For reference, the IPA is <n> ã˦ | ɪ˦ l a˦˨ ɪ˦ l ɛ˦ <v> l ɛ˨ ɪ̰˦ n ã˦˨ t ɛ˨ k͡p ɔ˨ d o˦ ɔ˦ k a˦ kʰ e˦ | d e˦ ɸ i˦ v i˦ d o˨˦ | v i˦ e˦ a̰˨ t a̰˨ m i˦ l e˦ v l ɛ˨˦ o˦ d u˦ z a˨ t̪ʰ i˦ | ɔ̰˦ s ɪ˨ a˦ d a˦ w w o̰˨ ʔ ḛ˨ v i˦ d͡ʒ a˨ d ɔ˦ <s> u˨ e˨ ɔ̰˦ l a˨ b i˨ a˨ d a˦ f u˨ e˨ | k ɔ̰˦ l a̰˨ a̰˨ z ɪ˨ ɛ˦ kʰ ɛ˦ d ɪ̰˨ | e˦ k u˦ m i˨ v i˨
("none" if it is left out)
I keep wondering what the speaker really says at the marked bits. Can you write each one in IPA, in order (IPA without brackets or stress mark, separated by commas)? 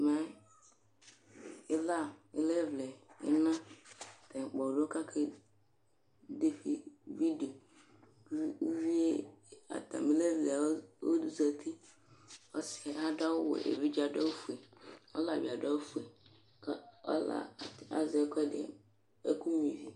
m, v, f